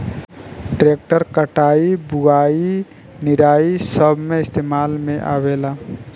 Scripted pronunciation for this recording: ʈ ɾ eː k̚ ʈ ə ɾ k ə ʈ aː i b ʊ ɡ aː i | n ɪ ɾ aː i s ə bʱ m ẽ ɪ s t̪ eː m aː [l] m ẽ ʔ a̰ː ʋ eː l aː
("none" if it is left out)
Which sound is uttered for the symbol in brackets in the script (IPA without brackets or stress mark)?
l